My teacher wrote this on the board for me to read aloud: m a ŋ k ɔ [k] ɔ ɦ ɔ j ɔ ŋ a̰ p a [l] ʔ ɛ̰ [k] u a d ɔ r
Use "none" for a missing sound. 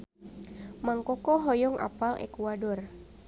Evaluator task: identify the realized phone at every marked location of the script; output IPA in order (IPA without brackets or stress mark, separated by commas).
k, l, k